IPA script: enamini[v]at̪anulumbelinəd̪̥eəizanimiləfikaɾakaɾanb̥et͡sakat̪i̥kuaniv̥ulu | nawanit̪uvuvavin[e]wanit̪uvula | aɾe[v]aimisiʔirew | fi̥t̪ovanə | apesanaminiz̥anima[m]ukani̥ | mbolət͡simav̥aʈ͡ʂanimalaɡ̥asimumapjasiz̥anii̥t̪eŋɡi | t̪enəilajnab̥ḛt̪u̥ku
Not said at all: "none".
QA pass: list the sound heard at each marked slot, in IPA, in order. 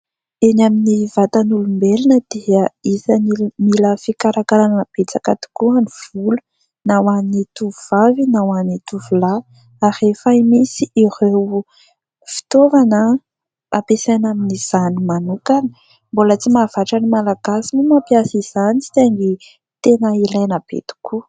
v, a, f, n

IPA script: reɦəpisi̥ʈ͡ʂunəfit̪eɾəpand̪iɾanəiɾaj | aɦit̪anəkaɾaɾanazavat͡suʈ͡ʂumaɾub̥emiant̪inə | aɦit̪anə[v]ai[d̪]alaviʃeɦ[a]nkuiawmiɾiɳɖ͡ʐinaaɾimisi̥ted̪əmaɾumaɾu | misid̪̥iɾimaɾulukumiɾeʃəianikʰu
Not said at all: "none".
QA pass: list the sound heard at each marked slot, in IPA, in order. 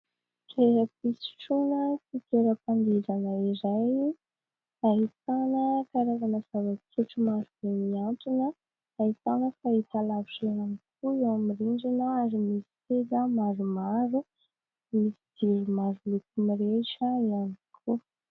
f, t̪, a

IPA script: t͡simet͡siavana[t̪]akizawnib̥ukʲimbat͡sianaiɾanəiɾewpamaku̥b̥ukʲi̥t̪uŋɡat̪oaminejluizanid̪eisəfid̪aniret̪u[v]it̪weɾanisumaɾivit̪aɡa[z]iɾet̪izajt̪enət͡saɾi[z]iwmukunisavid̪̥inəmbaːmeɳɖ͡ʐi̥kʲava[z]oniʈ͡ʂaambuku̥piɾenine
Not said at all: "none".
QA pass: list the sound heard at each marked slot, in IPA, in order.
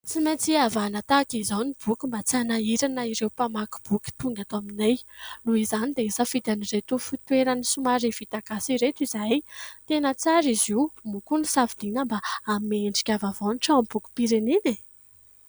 t̪, f, s, z, v

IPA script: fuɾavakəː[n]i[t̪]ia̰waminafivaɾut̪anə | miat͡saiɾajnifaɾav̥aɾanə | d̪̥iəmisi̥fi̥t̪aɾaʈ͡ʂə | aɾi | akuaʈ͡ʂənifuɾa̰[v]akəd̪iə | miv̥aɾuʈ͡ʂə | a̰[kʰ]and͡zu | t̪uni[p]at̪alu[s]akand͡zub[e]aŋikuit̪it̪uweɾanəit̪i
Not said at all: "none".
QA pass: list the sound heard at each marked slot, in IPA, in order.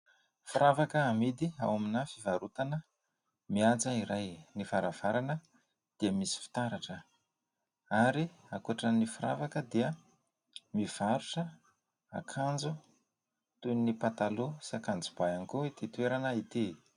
m, d̪, v, kʰ, p, s, a

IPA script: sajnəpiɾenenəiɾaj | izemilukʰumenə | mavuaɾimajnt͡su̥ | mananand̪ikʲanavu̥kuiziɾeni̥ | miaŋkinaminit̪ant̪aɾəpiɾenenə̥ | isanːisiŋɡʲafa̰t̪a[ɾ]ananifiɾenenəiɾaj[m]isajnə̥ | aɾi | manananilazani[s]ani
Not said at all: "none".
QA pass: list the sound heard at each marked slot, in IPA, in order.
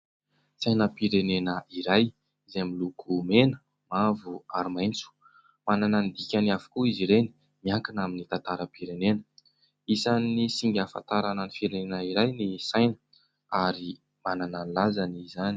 ɾ, n, z

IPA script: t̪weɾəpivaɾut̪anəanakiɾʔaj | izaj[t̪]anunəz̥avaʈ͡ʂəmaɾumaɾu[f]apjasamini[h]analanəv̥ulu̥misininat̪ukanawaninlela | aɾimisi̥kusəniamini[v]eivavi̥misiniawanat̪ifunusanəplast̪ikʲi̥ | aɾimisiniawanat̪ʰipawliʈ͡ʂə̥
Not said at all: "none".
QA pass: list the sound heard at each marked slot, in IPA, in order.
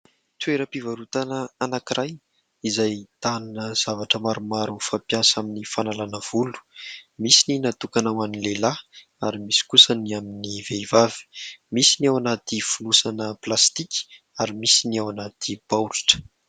t̪, f, f, v

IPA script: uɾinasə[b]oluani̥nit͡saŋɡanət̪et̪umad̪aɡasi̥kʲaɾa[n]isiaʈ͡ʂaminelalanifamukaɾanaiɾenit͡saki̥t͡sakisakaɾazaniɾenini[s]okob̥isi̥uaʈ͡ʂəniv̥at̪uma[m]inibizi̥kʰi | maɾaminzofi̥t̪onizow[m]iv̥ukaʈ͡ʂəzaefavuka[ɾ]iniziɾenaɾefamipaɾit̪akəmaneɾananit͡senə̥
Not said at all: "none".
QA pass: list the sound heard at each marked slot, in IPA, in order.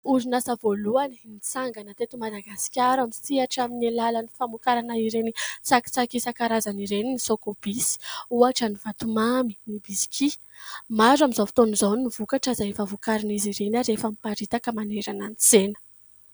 v, m, s, m, n, ɾ

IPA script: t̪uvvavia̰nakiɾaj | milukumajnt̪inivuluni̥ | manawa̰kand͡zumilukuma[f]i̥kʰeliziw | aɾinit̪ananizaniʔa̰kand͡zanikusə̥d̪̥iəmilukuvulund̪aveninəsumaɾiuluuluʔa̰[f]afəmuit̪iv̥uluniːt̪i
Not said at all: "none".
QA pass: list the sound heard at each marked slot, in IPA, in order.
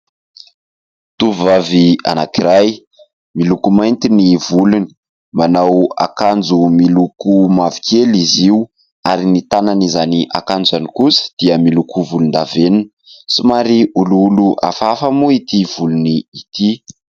v, f

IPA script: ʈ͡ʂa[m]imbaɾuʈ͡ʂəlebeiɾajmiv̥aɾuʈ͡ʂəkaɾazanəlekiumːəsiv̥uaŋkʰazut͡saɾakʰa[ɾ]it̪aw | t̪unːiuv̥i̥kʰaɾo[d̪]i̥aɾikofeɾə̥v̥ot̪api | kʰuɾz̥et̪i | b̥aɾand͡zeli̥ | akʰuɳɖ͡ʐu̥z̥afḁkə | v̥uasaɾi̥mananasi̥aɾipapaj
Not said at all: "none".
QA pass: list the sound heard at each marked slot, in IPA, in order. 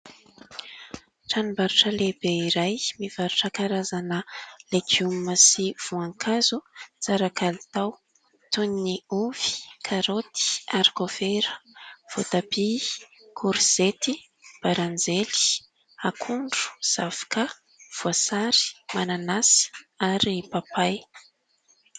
n, l, t̪

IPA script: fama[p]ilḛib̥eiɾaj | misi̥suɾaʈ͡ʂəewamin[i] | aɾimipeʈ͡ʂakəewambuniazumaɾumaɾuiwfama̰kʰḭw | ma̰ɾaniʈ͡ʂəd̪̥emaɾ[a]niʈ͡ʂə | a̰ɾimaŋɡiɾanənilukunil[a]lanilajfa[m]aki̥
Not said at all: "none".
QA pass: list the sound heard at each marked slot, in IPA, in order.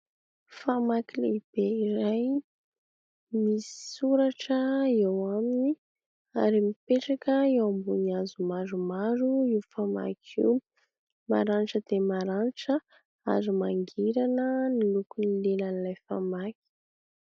k, i, a, e, m

